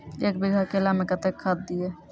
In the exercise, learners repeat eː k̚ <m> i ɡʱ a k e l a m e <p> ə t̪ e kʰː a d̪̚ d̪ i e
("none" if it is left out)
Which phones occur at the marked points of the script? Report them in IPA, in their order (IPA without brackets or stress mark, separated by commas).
b, k